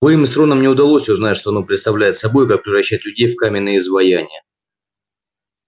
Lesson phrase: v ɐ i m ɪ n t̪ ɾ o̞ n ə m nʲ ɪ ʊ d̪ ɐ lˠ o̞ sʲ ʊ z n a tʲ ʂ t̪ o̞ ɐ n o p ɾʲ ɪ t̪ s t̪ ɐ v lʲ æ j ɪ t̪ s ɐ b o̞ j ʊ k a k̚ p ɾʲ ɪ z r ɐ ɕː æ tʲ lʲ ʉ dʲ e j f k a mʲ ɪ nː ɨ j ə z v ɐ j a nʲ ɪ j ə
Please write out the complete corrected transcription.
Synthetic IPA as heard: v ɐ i m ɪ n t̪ ɾ o̞ n ə m nʲ ɪ ʊ d̪ ɐ lˠ o̞ sʲ ʊ z n a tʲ ʂ t̪ o̞ ɐ n o p ɾʲ ɪ t̪ s t̪ ɐ v lʲ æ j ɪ t̪ s ɐ b o̞ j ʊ k a k̚ p ɾʲ ɪ v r ɐ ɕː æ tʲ lʲ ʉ dʲ e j f k a mʲ ɪ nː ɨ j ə z v ɐ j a nʲ ɪ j ə